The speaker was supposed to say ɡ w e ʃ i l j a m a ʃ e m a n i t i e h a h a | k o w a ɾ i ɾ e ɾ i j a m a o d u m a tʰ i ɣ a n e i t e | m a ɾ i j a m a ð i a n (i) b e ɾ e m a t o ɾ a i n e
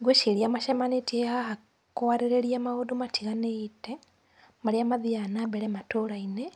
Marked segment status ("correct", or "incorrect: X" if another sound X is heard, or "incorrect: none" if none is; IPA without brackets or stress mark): incorrect: a